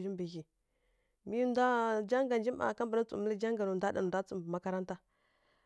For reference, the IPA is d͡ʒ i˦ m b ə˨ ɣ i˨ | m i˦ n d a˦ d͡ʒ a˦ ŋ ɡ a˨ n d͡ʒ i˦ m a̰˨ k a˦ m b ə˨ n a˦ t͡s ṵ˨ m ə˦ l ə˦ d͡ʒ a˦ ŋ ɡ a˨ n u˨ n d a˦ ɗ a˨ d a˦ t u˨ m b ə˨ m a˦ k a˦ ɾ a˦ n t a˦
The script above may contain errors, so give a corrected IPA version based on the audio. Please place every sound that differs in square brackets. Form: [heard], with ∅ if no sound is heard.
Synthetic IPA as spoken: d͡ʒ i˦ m b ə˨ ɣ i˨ | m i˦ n d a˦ d͡ʒ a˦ ŋ ɡ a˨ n d͡ʒ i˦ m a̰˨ k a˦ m b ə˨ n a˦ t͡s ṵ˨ m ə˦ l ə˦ d͡ʒ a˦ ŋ ɡ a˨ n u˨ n d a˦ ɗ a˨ d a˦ [t͡s] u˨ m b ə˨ m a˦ k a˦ ɾ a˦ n t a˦